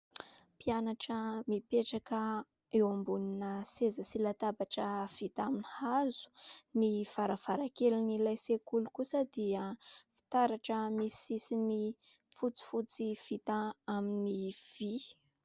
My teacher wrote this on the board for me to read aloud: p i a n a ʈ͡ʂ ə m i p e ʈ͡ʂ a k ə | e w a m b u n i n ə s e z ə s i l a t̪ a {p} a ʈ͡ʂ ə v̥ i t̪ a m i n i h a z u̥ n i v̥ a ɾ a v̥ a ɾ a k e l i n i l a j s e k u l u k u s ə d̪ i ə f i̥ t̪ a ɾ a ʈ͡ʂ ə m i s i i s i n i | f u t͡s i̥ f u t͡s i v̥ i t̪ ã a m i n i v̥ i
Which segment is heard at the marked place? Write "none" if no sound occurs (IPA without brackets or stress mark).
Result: b